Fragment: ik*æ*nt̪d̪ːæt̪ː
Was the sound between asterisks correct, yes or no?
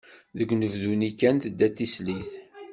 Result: yes